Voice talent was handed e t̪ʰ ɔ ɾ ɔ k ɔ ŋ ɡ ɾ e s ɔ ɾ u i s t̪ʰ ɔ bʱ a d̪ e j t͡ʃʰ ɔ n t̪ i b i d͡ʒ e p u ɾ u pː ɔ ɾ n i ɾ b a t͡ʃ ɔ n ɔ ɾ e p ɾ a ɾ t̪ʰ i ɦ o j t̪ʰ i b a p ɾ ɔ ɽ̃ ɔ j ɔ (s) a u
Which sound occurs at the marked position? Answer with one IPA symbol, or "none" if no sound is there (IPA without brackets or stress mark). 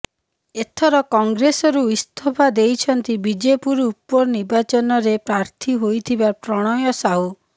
s